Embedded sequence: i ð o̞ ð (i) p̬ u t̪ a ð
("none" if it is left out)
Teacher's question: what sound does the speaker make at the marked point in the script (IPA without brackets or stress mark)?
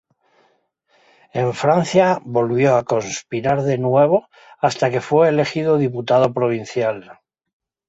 i